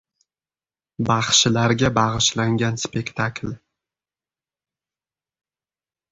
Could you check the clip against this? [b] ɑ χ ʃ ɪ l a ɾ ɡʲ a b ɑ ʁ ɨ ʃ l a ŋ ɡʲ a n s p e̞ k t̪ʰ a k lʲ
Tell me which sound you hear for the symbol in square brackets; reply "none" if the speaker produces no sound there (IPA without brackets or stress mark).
b